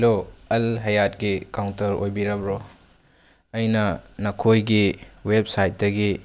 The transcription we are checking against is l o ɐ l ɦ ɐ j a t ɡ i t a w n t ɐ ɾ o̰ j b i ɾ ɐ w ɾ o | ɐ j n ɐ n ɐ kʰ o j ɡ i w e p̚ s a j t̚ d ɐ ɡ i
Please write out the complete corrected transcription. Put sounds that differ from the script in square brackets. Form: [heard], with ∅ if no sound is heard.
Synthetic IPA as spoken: l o ɐ l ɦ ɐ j a t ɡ i [k] a w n t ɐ ɾ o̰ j b i ɾ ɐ [b] ɾ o | ɐ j n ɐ n ɐ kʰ o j ɡ i w e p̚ s a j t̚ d ɐ ɡ i